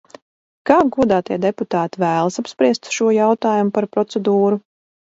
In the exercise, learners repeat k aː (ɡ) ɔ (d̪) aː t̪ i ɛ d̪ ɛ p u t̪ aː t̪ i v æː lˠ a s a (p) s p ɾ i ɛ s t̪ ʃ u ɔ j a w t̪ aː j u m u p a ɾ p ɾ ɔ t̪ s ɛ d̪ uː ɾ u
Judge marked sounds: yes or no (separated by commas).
yes, yes, yes